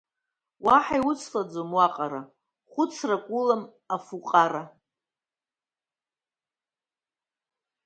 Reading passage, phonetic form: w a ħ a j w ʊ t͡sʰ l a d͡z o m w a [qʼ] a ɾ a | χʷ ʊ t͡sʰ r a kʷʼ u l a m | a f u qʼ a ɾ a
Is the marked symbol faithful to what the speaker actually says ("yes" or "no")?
yes